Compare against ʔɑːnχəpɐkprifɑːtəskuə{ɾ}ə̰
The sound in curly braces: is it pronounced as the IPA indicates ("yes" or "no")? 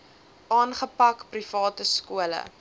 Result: no